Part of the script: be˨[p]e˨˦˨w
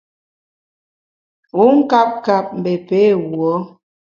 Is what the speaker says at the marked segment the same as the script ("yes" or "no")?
yes